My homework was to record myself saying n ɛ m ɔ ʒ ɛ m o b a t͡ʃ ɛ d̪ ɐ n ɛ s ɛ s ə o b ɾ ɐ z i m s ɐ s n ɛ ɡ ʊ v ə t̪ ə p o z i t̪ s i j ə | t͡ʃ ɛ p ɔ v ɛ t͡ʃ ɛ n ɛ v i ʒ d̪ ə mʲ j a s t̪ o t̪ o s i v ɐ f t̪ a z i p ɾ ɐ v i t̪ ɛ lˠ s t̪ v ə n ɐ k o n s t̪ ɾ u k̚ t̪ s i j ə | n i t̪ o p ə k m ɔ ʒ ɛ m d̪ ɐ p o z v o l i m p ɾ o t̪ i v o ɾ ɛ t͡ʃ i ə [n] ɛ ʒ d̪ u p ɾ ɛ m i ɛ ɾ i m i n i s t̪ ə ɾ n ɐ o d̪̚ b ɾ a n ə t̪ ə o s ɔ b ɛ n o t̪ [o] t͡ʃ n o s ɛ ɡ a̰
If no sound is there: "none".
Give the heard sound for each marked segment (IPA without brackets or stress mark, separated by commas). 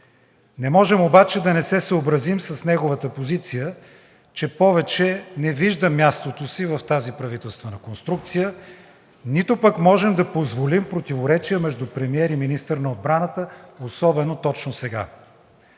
m, ɔ